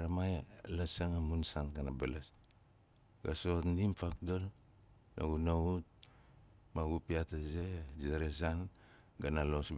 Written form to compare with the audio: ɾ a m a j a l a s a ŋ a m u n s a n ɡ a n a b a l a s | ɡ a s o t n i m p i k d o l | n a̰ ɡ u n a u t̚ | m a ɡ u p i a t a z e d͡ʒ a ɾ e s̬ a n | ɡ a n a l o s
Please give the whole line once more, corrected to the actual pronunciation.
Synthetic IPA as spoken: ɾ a m a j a l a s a ŋ a m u n s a n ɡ a n a b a l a s | ɡ a s o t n i m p a k d o l | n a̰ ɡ u n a u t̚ | m a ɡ u p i a t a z e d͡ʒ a ɾ e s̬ a n | ɡ a n a l o s

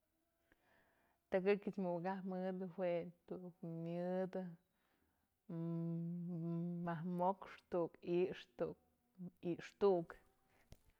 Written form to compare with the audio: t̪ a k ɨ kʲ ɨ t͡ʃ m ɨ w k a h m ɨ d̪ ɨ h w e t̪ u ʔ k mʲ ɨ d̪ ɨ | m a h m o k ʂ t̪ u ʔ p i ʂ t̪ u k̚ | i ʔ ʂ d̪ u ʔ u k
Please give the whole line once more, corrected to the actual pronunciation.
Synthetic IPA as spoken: t̪ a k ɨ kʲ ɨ t͡ʃ m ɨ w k a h m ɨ d̪ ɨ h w e t̪ u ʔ k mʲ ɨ d̪ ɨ | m a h m o k ʂ t̪ u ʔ k i ʂ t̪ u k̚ | i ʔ ʂ t̪ u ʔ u k

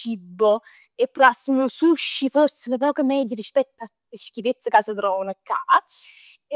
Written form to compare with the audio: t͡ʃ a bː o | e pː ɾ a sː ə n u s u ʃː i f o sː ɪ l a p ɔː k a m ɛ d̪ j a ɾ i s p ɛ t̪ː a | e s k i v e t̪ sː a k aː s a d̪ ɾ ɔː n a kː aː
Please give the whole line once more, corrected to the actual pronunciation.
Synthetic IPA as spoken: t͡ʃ i bː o | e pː ɾ a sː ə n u s u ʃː i f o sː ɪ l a p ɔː k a m ɛ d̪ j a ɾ i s p ɛ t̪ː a | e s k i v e t̪ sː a k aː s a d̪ ɾ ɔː n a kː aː

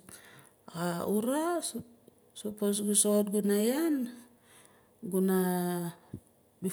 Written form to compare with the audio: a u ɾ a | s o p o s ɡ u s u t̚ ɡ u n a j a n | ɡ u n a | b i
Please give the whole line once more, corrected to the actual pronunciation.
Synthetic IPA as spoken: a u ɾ a | s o p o s ɡ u s o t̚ ɡ u n a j a n | ɡ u n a | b i

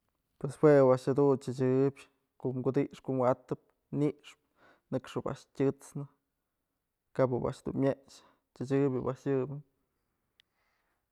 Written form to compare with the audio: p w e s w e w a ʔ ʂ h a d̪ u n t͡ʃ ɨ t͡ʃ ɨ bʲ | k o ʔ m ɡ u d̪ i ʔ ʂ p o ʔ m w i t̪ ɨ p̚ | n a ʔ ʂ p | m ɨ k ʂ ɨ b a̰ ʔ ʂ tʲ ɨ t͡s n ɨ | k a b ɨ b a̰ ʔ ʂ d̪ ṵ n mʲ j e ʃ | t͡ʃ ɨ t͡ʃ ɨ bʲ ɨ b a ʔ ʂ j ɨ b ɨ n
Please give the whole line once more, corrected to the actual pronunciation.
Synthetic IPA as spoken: p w e s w e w a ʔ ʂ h a d̪ u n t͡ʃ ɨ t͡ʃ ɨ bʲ | k o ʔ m ɡ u d̪ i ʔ ʂ k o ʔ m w a t̪ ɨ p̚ | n i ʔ ʂ p | n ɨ k ʂ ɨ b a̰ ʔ ʂ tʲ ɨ t͡s n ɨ | k a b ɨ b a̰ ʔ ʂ d̪ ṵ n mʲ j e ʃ | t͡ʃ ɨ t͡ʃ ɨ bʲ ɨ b a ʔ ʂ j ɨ b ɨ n

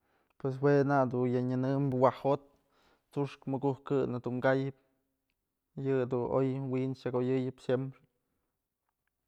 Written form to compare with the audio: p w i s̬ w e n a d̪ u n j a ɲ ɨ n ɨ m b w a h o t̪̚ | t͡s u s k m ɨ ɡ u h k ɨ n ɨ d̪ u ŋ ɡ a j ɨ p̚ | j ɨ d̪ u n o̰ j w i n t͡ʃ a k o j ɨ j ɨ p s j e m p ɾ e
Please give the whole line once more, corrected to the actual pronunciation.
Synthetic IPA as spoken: p w e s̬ w e n a d̪ u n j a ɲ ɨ n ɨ m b w a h o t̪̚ | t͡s u ʂ k m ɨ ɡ u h k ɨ n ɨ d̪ u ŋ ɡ a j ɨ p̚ | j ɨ d̪ u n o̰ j w i n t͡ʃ a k o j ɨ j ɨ p s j e m p ɾ e

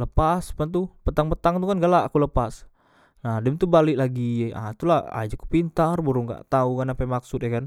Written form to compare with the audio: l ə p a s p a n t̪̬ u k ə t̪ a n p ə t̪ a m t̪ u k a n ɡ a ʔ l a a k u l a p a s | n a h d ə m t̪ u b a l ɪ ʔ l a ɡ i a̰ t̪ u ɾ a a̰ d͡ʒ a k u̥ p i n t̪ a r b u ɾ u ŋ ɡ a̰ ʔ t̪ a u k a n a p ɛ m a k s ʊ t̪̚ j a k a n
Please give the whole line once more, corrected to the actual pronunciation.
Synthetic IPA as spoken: l ə p a s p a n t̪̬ u p ə t̪ a ŋ p ə t̪ a ŋ t̪ u k a n ɡ a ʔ l a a k u l ə p a s | n a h d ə m t̪ u b a l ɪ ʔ l a ɡ i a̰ t̪ u l a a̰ d͡ʒ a k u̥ p i n t̪ a r b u ɾ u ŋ ɡ a̰ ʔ t̪ a u k a n a p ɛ m a k s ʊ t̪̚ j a k a n

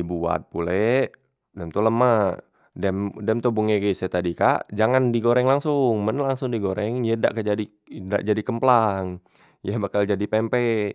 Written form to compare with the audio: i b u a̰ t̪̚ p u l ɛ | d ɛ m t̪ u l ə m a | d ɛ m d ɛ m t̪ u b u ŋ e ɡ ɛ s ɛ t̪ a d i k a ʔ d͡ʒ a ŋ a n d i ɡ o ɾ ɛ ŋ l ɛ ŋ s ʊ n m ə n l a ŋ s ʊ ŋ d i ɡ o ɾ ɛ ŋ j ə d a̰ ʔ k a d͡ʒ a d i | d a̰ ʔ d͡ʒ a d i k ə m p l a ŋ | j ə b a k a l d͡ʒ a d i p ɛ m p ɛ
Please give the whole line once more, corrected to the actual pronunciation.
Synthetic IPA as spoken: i b u a̰ t̪̚ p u l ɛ | d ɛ m t̪ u l ə m a | d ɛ m d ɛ m t̪ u b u ŋ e ɡ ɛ s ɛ t̪ a d i k a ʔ d͡ʒ a ŋ a n d i ɡ o ɾ ɛ ŋ l a ŋ s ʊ ŋ m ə n l a ŋ s ʊ ŋ d i ɡ o ɾ ɛ ŋ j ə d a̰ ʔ k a d͡ʒ a d i | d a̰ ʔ d͡ʒ a d i k ə m p l a ŋ | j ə b a k a l d͡ʒ a d i p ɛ m p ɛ

